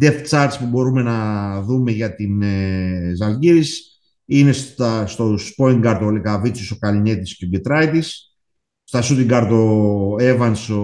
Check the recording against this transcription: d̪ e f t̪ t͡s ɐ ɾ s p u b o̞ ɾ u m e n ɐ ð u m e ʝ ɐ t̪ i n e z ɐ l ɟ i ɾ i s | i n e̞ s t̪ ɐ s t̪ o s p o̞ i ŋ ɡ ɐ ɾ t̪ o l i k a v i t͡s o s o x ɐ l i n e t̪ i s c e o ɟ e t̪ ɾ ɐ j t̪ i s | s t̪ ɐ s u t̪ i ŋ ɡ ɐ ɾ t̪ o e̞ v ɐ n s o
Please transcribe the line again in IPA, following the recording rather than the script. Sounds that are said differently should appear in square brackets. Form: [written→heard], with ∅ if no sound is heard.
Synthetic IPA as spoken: d̪ e f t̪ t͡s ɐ ɾ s p u b o̞ ɾ u m e n ɐ ð u m e ʝ ɐ t̪ i n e z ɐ l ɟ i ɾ i s | i n e̞ s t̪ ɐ s t̪ o s p o̞ i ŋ ɡ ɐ ɾ t̪ o l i k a v i t͡s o s o [x→k] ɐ l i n e t̪ i s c e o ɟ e t̪ ɾ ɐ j t̪ i s | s t̪ ɐ s u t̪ i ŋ ɡ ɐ ɾ t̪ o e̞ v ɐ n s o